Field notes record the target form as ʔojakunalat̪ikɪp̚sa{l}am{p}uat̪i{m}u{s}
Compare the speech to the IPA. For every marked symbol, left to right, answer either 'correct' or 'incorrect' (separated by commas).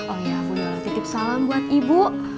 correct, incorrect, incorrect, incorrect